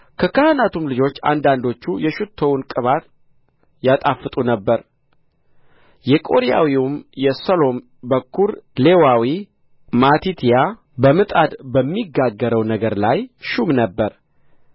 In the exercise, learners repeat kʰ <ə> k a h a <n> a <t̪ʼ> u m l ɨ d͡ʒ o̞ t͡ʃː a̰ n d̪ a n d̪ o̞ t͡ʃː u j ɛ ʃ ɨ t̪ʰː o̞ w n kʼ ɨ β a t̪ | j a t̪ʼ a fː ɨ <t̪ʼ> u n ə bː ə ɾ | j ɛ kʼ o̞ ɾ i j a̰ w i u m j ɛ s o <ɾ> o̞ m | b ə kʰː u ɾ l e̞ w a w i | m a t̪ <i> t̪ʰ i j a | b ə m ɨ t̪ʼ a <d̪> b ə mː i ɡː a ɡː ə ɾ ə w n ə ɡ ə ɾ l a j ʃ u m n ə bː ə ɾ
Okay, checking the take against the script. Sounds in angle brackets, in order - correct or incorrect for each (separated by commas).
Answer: correct, correct, incorrect, correct, incorrect, correct, correct